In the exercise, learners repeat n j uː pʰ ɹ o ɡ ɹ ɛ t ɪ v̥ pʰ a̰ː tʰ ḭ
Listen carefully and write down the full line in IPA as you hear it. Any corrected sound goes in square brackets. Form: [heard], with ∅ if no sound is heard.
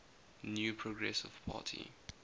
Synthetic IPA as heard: n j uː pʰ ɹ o ɡ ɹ ɛ [s] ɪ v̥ pʰ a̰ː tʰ ḭ